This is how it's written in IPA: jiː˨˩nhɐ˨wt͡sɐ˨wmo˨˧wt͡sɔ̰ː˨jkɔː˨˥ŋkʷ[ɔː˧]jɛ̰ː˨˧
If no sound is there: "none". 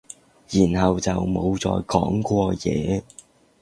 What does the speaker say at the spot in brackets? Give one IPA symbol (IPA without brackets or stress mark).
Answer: ɔː˧